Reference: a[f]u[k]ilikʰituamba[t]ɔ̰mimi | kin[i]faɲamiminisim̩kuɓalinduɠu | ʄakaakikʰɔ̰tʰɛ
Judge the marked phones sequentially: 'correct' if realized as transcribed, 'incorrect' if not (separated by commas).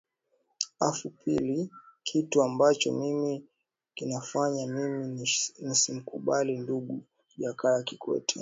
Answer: correct, incorrect, incorrect, incorrect